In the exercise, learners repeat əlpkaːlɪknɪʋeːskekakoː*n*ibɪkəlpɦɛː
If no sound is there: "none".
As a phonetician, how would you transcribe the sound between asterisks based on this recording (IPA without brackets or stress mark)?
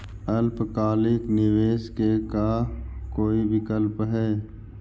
none